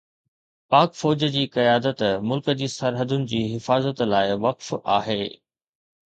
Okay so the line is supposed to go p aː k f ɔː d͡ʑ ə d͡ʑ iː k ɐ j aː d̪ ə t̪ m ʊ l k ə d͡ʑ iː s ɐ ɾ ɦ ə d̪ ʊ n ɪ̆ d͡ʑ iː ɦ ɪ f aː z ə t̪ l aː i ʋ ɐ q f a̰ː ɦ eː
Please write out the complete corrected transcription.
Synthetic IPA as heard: p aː k f ɔː d͡ʑ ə d͡ʑ iː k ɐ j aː d̪ ə t̪ m ʊ l k ə d͡ʑ iː s ɐ ɾ ɦ ə d̪ ʊ n ɪ̆ d͡ʑ iː ɦ ɪ f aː z ə t̪ l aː ɪ ʋ ɐ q f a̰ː ɦ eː